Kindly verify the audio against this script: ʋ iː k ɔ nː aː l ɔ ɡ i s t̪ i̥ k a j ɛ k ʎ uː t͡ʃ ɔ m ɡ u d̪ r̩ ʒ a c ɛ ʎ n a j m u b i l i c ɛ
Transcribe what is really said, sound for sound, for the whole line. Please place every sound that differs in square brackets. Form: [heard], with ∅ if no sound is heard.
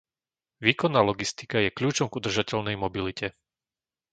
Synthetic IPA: ʋ iː k ɔ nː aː l ɔ ɡ i s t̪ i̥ k a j ɛ k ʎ uː t͡ʃ ɔ m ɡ u d̪ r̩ ʒ a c ɛ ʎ n [ɛ] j m [ɔ] b i l i c ɛ